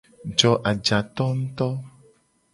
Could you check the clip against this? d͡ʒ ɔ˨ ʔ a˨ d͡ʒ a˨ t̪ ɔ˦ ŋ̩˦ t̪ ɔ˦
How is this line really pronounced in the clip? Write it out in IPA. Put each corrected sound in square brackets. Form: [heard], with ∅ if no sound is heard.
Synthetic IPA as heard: d͡ʒ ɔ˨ ʔ a˨ d͡ʒ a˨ t̪ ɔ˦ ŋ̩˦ t̪ ɔ˦